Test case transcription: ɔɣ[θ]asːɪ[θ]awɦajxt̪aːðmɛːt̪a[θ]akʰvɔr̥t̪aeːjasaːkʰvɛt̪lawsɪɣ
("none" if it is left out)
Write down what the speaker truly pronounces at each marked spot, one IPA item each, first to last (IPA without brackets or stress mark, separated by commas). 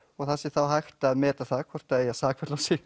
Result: θ, θ, θ